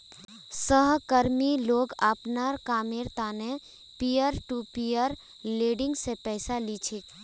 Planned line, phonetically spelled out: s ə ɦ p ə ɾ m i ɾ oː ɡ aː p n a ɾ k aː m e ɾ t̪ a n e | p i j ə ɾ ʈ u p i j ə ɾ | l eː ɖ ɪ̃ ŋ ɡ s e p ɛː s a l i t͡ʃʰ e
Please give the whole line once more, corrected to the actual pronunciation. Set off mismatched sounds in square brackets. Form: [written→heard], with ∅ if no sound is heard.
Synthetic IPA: s ə ɦ [p→k] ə ɾ m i [ɾ→l] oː ɡ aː p n a ɾ k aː m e ɾ t̪ a n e | p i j ə ɾ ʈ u p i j ə ɾ | l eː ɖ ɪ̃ ŋ ɡ s e p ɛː s a l i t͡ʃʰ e

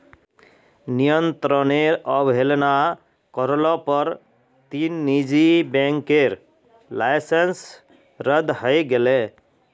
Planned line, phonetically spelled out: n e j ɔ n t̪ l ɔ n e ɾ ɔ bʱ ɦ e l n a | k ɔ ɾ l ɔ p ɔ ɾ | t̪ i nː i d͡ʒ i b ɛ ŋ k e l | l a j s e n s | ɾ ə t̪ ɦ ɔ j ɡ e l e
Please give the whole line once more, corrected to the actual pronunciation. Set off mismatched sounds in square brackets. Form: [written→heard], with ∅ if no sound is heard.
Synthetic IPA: n [e→i] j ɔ n t̪ [l→ɾ] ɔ n e ɾ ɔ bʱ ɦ e l n a | k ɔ ɾ l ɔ p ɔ ɾ | t̪ i nː i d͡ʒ i b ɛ ŋ k e [l→ɾ] | l a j s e n s | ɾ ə [t̪→d̪] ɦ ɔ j ɡ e l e

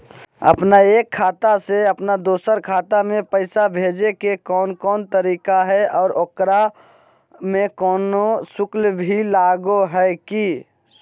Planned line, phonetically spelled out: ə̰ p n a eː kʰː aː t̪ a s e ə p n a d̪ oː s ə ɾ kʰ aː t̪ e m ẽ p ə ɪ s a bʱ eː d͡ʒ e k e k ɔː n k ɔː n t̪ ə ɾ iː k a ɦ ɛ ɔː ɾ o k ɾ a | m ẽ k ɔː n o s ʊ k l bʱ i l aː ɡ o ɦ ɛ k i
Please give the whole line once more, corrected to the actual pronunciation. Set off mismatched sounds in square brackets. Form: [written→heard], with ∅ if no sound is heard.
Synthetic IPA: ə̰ p n a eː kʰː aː t̪ a s e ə p n a d̪ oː s ə ɾ kʰ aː t̪ [e→a] m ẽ p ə ɪ s a bʱ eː d͡ʒ e k e k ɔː n k ɔː n t̪ ə ɾ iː k a ɦ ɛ ɔː ɾ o k ɾ a | m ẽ k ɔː n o s ʊ k l bʱ i l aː ɡ o ɦ ɛ k i

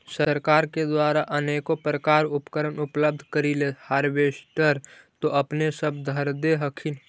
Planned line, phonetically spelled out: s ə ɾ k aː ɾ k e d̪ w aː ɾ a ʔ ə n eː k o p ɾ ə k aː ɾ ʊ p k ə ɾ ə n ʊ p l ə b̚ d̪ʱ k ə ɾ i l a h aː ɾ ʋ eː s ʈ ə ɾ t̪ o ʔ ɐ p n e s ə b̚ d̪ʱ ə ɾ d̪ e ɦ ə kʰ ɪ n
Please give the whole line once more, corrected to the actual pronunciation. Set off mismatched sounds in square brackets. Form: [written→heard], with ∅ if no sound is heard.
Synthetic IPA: s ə ɾ k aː ɾ k e d̪ w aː ɾ a ʔ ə n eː k o p ɾ ə k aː ɾ ʊ p k ə ɾ ə n ʊ p l ə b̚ d̪ʱ k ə ɾ i l [a→e] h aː ɾ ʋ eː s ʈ ə ɾ t̪ o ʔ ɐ p n e s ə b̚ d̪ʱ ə ɾ d̪ e ɦ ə kʰ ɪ n

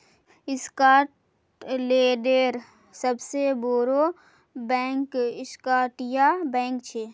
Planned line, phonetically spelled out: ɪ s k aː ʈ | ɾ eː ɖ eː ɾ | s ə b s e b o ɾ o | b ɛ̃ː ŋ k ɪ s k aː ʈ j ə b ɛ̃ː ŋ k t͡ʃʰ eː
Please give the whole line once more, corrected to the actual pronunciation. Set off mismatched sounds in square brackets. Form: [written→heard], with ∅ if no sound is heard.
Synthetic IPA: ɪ s k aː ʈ | [ɾ→l] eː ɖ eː ɾ | s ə b s e b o ɾ o | b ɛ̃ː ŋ k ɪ s k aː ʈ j [ə→a] b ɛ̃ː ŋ k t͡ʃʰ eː

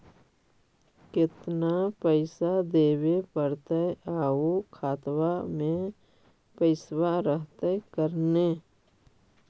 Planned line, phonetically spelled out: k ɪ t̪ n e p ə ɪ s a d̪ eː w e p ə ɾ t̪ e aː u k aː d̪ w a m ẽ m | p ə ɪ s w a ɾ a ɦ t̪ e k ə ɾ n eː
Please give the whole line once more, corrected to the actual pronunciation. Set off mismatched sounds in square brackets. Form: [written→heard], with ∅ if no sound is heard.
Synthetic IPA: k ɪ t̪ n [e→a] p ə ɪ s a d̪ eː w e p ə ɾ t̪ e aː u [k→kʰ] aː [d̪→t̪] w a m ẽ [m→∅] | p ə ɪ s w a ɾ [a→ə] ɦ t̪ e k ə ɾ n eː

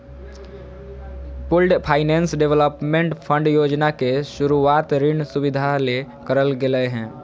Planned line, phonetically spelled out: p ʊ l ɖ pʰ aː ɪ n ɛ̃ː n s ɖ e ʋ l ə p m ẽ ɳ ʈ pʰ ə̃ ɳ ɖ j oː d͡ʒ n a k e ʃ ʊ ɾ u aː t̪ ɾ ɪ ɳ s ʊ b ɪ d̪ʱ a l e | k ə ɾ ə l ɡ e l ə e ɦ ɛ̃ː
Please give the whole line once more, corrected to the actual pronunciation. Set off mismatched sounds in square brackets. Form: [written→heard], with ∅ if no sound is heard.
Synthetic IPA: p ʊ l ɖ pʰ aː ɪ n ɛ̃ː n s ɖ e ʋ l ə p m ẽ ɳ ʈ pʰ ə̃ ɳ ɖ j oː d͡ʒ n a k e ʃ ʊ ɾ u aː t̪ ɾ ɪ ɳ s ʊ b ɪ d̪ʱ a l e | k ə ɾ ə l ɡ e l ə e ɦ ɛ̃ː

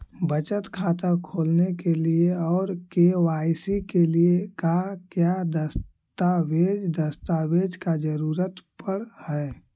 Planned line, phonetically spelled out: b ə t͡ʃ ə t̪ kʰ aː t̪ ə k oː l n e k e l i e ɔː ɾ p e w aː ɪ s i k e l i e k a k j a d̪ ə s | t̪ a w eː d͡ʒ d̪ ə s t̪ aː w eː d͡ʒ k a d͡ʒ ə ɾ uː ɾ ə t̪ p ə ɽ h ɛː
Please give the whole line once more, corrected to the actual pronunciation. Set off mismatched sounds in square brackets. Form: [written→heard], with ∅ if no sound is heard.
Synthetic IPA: b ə t͡ʃ ə t̪ kʰ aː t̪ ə [k→kʰ] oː l n e k e l i e ɔː ɾ [p→k] e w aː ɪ s i k e l i e k a k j a d̪ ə s | t̪ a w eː d͡ʒ d̪ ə s t̪ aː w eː d͡ʒ k a d͡ʒ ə ɾ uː ɾ ə t̪ p ə ɽ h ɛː

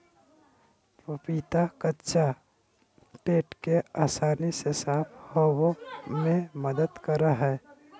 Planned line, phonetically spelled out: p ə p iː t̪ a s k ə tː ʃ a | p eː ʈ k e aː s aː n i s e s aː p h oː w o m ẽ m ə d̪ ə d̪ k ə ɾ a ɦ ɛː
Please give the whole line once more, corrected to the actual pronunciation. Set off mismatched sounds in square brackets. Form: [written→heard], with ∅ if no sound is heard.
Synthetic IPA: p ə p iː t̪ a [s→∅] k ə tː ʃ a | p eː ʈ k e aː s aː n i s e s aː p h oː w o m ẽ m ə d̪ ə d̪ k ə ɾ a ɦ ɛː

